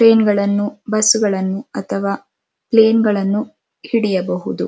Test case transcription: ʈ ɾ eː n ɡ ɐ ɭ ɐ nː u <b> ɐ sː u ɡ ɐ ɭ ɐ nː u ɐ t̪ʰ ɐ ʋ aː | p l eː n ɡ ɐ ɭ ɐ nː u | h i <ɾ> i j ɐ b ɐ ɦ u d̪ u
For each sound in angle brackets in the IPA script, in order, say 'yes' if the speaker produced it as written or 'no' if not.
yes, no

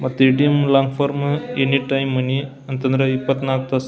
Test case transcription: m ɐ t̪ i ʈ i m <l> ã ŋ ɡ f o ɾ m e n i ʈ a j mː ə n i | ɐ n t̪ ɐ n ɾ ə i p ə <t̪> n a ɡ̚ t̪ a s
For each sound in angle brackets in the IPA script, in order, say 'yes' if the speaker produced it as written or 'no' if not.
yes, yes

